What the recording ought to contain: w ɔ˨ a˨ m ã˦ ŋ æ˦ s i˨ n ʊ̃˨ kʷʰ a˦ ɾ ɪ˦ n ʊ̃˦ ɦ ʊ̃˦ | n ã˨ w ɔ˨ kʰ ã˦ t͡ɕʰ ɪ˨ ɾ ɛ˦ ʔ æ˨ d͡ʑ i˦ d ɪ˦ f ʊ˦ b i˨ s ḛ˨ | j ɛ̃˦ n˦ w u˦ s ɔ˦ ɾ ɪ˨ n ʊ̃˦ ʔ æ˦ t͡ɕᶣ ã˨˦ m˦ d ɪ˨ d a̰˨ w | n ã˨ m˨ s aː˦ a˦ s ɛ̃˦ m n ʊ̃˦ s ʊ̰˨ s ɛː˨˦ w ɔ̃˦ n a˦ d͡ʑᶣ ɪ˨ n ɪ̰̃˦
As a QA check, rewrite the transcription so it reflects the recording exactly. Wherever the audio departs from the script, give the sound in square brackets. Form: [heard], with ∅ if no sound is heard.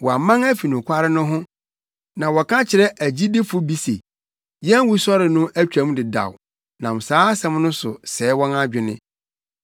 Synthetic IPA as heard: w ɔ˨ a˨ m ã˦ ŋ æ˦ [f] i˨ n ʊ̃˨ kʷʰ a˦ ɾ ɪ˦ n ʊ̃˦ ɦ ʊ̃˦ | n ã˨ w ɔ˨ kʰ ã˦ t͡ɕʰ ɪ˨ ɾ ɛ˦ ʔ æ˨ d͡ʑ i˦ d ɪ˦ f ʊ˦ b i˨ s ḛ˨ | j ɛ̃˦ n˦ w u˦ s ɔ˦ ɾ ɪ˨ n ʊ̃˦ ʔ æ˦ t͡ɕᶣ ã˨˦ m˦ d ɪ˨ d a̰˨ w | n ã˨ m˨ s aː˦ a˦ s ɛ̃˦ m n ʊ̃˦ s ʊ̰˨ s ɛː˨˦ w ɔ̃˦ n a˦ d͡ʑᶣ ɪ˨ n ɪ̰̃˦